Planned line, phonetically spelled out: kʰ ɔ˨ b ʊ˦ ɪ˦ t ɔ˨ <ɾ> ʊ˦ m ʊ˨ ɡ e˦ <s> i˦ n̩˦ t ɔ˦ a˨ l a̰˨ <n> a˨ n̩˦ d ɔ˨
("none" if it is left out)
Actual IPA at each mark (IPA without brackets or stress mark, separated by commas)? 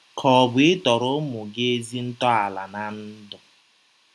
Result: ɾ, z, n